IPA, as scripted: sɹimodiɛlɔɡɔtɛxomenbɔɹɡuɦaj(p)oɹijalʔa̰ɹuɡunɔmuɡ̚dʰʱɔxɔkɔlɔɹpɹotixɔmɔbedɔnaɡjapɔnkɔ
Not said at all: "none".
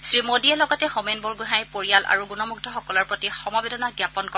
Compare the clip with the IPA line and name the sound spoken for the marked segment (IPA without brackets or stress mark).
p